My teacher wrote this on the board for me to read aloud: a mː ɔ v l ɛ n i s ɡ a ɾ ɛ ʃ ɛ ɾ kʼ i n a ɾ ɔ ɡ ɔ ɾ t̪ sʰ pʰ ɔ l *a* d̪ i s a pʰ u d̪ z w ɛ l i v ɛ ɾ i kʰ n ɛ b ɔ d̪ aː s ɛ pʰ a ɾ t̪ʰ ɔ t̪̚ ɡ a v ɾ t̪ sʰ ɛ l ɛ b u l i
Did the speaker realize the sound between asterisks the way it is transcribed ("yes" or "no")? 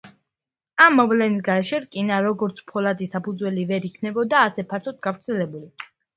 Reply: yes